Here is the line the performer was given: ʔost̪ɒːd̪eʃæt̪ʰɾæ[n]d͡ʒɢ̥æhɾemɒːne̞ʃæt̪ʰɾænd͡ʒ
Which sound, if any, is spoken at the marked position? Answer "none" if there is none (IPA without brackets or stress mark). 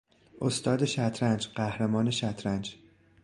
n